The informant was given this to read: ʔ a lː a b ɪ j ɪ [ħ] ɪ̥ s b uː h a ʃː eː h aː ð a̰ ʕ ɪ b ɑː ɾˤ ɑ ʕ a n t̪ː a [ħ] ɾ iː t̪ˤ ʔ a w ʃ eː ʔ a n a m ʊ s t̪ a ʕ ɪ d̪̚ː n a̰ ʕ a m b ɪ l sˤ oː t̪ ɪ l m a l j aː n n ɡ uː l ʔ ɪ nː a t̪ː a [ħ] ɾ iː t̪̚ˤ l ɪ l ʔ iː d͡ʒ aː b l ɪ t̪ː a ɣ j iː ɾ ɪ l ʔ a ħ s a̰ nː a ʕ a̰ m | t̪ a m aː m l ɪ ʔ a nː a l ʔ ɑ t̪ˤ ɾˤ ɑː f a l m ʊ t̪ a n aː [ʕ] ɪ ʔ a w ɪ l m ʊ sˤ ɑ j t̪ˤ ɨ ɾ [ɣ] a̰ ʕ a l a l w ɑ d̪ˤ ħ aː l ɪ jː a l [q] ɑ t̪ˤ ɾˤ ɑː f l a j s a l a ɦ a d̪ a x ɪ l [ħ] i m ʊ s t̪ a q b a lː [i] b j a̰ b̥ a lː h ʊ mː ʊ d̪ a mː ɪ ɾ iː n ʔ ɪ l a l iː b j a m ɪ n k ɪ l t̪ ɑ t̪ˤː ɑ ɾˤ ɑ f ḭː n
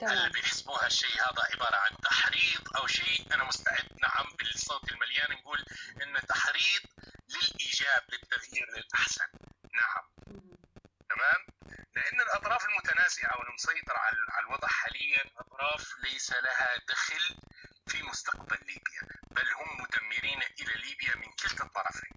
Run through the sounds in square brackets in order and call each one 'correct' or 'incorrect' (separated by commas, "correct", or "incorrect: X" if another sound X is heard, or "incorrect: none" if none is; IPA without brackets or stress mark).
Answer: correct, correct, correct, incorrect: z, incorrect: ʕ, incorrect: ʔ, incorrect: f, incorrect: iː